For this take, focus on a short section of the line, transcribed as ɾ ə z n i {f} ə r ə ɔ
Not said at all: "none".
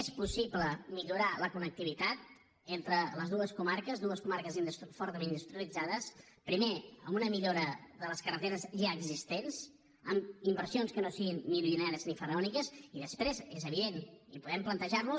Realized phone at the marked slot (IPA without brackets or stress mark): f